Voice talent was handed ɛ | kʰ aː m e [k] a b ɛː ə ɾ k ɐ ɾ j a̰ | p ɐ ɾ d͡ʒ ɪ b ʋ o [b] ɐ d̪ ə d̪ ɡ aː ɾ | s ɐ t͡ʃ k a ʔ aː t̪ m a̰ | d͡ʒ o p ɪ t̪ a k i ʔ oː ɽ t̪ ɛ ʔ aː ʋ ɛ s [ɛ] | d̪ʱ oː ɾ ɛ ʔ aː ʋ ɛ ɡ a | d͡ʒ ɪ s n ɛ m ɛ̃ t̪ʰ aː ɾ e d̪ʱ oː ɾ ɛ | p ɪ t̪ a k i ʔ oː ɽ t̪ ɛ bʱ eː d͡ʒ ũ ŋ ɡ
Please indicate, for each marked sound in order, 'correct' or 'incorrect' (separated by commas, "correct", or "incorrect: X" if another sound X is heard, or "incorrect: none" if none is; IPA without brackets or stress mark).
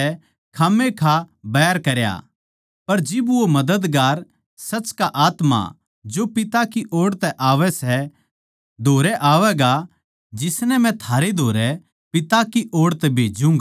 incorrect: kʰ, incorrect: m, correct